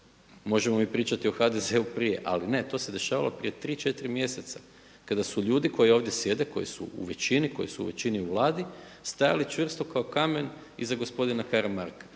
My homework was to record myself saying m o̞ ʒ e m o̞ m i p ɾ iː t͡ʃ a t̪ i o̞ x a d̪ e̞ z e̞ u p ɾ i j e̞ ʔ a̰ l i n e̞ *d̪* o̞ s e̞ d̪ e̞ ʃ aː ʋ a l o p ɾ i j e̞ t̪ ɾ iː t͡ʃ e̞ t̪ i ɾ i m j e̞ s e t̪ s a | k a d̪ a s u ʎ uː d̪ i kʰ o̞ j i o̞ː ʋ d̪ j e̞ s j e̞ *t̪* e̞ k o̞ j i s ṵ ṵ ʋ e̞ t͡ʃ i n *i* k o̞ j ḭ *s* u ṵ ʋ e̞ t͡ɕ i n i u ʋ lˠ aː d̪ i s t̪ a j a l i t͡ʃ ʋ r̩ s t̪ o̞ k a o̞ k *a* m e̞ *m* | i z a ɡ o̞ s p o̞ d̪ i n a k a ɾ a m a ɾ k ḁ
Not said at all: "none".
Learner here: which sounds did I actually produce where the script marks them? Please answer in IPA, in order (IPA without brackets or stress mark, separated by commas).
t̪, d̪, i, s, a, n